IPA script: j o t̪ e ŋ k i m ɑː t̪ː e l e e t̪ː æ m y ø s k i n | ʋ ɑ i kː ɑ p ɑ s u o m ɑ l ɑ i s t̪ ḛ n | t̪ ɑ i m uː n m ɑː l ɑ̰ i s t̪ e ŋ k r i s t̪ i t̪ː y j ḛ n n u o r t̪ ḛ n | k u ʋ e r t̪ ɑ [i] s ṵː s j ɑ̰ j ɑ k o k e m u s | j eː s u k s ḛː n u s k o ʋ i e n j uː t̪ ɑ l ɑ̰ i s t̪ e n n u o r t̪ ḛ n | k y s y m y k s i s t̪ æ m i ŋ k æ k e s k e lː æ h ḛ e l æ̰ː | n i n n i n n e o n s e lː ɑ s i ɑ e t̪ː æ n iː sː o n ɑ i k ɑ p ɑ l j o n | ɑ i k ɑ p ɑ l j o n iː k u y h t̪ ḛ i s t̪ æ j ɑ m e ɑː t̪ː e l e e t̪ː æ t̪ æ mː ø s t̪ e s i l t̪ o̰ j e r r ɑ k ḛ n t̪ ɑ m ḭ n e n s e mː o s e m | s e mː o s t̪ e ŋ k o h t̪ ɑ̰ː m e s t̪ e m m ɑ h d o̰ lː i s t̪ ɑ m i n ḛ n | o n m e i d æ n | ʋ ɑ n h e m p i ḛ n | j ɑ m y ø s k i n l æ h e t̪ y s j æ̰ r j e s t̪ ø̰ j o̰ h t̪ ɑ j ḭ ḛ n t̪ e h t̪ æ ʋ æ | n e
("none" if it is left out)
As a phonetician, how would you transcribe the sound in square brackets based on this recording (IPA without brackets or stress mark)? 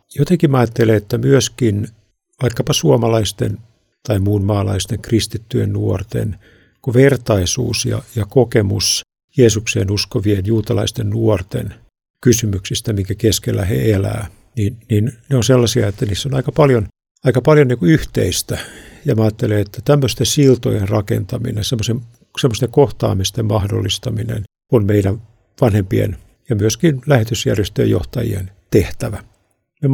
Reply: i